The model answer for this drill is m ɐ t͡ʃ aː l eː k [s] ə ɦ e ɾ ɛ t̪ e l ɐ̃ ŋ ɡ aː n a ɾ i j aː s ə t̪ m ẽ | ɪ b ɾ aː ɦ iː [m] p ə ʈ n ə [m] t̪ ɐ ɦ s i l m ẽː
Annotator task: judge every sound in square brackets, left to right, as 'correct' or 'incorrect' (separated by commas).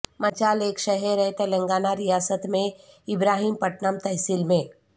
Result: incorrect, correct, correct